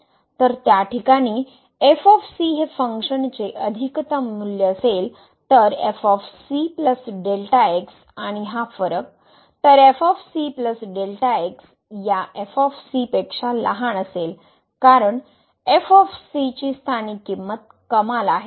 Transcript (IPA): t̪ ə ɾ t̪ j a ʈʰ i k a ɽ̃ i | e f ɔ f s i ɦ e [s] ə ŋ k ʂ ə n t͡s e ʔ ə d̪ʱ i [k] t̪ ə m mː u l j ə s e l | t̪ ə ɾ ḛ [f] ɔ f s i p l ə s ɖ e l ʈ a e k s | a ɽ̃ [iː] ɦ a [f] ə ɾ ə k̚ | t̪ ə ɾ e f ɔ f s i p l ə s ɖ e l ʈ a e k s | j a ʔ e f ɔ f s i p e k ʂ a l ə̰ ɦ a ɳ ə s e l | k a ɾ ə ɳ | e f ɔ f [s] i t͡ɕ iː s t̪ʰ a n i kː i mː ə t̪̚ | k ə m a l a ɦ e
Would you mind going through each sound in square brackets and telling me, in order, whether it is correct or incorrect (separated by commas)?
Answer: incorrect, correct, correct, incorrect, correct, correct